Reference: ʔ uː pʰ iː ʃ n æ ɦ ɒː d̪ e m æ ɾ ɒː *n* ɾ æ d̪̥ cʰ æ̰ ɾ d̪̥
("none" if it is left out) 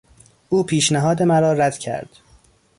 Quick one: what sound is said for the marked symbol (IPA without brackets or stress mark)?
none